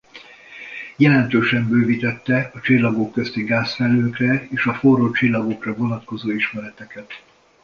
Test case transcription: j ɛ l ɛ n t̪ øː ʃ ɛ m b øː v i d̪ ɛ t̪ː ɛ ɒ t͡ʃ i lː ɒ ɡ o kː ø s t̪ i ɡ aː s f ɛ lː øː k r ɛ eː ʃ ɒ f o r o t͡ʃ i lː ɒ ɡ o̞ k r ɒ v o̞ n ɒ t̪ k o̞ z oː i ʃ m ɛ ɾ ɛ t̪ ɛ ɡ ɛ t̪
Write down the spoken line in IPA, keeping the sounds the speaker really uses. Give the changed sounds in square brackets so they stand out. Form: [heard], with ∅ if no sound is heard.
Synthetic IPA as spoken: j ɛ l ɛ n t̪ øː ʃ ɛ m b øː v i [t̪] ɛ t̪ː ɛ ɒ t͡ʃ i lː ɒ ɡ o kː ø s t̪ i ɡ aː s f ɛ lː øː k r ɛ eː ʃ ɒ f o r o t͡ʃ i lː ɒ ɡ o̞ k r ɒ v o̞ n ɒ t̪ k o̞ z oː i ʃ m ɛ ɾ ɛ t̪ ɛ [k] ɛ t̪